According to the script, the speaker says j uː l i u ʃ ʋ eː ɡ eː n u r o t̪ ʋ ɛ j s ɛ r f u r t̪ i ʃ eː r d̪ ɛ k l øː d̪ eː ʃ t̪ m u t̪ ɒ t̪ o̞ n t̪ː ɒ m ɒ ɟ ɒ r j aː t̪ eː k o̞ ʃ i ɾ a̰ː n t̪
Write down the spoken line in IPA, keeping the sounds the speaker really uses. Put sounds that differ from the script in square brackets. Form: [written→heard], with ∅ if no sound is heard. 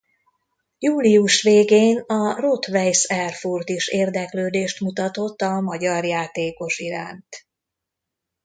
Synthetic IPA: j uː l i u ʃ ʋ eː ɡ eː n [u→ɒ] r o t̪ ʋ ɛ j s ɛ r f u r t̪ i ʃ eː r d̪ ɛ k l øː d̪ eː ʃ t̪ m u t̪ ɒ t̪ o̞ [n→∅] t̪ː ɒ m ɒ ɟ ɒ r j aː t̪ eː k o̞ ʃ i ɾ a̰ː n t̪